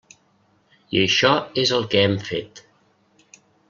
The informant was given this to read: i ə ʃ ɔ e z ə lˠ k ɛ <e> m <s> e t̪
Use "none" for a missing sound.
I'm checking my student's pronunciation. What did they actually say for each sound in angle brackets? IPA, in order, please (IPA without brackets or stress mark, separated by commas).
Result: ɛ, f